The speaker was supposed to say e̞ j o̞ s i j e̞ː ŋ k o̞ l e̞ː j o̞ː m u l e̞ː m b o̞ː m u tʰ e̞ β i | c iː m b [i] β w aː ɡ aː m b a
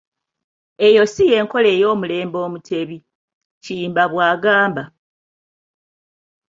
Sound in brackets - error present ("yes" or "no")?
yes